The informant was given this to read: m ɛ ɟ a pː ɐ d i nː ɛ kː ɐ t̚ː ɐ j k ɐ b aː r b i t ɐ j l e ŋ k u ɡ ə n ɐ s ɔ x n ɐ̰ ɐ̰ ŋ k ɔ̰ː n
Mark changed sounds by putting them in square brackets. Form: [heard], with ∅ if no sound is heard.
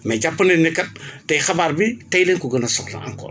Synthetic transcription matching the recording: m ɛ ɟ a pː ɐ [n] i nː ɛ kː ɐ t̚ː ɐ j [x] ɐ b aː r b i t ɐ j l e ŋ k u ɡ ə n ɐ s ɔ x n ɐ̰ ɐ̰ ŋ k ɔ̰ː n